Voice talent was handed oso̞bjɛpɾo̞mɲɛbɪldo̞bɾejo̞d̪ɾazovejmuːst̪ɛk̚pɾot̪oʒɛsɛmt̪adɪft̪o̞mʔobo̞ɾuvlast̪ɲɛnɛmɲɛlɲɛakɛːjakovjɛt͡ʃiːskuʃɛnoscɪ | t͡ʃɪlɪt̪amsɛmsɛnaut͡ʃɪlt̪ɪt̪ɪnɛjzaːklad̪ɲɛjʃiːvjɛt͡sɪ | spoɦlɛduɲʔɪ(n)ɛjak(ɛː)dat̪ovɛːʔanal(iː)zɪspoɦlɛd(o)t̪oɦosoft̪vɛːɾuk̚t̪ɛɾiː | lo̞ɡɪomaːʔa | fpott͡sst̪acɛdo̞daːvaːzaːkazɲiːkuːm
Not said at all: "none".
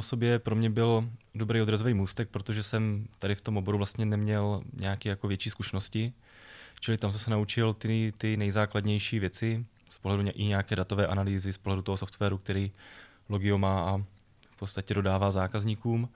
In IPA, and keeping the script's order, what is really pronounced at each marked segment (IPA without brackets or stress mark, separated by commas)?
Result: ɲ, ɛː, iː, u